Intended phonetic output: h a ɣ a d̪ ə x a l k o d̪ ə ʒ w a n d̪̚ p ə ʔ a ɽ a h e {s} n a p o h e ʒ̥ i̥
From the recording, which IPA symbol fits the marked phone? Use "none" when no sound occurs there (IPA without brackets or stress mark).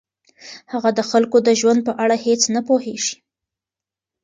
t͡s